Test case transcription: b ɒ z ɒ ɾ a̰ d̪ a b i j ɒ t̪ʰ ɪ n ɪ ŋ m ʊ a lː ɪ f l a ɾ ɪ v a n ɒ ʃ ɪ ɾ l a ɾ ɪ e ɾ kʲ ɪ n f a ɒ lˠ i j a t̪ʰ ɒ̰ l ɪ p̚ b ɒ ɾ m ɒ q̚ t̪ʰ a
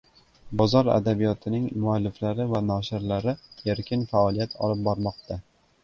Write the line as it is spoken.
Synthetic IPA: b ɒ z ɒ ɾ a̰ d̪ a b i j ɒ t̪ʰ ɪ n ɪ ŋ m ʊ a lː ɪ f l a ɾ ɪ v a n ɒ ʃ ɪ ɾ l a ɾ ɪ e ɾ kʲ ɪ n f a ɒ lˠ i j a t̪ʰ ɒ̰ l ɪ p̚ b ɒ ɾ m ɒ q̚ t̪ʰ a

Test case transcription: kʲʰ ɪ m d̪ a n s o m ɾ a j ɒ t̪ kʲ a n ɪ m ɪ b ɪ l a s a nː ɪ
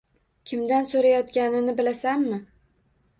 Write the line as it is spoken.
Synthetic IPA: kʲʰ ɪ m d̪ a n s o ɾ a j ɒ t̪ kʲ a n ɪ n ɪ b ɪ l a s a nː ɪ

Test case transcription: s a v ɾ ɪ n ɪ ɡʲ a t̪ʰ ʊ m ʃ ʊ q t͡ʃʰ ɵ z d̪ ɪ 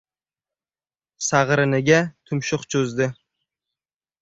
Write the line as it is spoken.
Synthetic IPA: s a ʁ ɾ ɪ n ɪ ɡʲ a t̪ʰ ʊ m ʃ ʊ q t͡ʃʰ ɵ z d̪ ɪ

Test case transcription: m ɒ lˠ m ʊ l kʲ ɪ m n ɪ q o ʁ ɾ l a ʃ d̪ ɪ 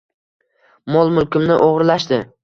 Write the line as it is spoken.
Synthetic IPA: m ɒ lˠ m ʊ l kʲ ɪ m n ɪ ʔ o ʁ ɾ l a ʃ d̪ ɪ

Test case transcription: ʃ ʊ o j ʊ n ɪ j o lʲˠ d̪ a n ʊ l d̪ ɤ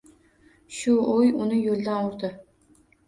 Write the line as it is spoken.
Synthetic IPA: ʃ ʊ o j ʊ n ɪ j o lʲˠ d̪ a n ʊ ɾ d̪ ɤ

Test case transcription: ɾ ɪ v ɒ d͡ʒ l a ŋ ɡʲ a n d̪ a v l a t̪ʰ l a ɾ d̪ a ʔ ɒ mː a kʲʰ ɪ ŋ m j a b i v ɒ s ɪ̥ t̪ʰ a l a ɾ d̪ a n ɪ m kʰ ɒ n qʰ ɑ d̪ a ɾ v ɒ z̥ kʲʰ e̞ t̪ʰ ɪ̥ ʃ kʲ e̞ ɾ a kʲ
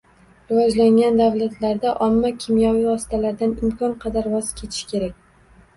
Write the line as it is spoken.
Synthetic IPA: ɾ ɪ v ɒ d͡ʒ l a ŋ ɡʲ a n d̪ a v l a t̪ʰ l a ɾ d̪ a ʔ ɒ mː a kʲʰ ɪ m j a v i v ɒ s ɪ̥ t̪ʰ a l a ɾ d̪ a n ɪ m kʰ ɒ n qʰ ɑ d̪ a ɾ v ɒ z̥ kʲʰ e̞ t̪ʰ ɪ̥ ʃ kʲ e̞ ɾ a kʲ

